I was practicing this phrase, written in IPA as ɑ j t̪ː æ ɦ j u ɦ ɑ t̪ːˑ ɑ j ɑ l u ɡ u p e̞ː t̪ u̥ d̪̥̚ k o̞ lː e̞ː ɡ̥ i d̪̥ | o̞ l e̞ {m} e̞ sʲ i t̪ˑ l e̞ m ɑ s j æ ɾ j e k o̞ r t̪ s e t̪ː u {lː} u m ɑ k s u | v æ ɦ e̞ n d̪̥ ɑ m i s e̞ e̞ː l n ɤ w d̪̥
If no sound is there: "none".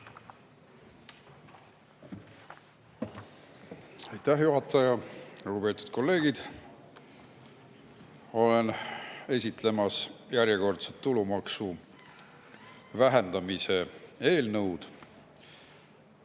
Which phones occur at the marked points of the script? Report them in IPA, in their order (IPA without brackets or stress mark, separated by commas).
n, l